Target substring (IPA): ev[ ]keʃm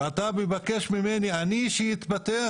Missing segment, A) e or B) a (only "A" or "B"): B